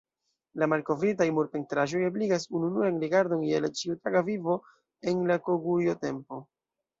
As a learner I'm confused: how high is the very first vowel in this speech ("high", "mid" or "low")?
low